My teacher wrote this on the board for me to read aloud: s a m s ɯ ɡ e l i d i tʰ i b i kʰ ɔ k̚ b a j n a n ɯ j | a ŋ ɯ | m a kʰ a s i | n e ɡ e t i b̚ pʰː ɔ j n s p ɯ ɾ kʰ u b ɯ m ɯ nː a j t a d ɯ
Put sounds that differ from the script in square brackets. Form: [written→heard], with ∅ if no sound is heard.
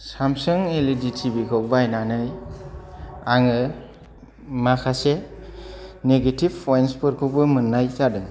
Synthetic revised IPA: s a m s ɯ [ɡ→ŋ] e l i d i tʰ i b i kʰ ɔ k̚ b a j n a n ɯ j | a ŋ ɯ | m a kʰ a s [i→e] | n e ɡ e t i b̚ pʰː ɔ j n s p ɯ ɾ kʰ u b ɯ m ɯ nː a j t a d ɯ